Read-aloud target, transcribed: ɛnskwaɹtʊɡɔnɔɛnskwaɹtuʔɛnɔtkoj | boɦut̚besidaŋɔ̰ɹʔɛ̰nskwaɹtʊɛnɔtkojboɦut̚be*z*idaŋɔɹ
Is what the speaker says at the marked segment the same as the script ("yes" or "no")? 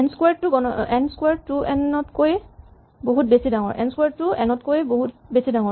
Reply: no